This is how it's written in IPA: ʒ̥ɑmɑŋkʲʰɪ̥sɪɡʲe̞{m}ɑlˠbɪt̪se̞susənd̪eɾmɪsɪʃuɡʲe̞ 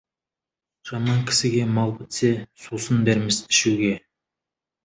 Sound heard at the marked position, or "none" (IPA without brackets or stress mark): m